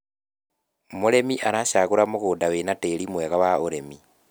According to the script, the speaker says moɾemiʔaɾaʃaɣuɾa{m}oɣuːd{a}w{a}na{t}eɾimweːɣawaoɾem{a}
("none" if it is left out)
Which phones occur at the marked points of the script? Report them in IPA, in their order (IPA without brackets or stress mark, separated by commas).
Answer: m, a, e, t, i